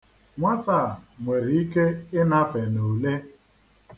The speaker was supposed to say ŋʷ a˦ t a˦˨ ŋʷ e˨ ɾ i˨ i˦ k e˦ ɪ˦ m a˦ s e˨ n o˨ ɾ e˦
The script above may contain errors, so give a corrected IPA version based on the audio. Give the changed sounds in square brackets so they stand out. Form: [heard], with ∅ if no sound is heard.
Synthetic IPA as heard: ŋʷ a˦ t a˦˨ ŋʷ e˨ ɾ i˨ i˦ k e˦ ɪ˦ [n] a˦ [f] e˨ n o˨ [l] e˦